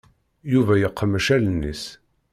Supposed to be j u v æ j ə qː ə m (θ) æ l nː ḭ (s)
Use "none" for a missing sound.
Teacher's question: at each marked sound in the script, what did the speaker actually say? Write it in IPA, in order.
ʃ, s

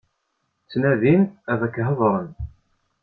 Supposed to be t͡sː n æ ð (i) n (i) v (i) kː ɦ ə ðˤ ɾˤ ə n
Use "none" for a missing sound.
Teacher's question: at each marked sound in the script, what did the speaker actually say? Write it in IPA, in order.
i, æ, æ

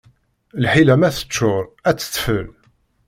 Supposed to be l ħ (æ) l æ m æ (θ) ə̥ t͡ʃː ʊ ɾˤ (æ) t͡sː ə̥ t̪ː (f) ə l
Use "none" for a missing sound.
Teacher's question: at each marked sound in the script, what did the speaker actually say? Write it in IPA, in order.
i, θ, æ, f

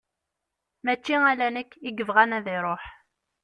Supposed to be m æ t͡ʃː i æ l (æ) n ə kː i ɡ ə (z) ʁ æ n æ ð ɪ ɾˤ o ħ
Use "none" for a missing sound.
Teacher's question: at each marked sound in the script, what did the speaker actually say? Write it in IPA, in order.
æ, v

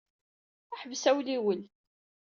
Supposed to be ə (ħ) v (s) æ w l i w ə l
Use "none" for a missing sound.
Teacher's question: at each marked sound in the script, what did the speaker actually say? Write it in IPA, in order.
ħ, s

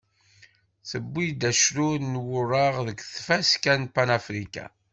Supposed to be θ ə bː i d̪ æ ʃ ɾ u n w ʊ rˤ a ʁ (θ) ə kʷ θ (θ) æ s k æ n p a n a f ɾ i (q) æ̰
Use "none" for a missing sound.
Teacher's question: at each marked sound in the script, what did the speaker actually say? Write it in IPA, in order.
ð, f, k

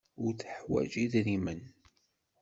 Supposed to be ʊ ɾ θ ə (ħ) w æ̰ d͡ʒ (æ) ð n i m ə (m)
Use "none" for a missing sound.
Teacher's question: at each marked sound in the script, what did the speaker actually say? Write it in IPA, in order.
ħ, i, n

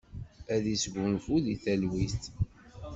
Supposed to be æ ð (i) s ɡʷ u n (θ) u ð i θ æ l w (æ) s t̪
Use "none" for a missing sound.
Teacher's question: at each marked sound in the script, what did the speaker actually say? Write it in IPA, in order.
i, f, i

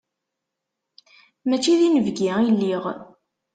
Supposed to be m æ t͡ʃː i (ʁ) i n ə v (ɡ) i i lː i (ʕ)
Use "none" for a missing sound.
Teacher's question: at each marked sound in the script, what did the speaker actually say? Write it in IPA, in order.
ð, ɡ, ʁ

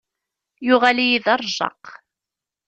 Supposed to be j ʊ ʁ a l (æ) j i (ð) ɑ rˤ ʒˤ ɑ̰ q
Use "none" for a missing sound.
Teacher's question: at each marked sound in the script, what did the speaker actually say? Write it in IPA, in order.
i, ð

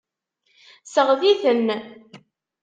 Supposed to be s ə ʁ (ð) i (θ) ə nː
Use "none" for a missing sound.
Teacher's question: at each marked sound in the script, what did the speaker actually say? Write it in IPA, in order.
ð, θ

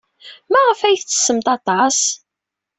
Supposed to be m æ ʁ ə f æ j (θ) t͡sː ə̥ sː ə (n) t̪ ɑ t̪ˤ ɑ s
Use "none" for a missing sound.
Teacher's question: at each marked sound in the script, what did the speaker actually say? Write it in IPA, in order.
θ, m

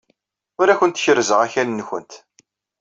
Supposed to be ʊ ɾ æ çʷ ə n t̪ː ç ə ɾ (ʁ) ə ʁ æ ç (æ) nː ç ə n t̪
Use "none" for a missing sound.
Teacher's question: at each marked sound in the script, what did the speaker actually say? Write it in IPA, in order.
z, æ

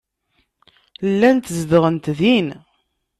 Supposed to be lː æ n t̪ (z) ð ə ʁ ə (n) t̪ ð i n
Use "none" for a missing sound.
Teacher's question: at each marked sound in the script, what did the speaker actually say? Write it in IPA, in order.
z, n

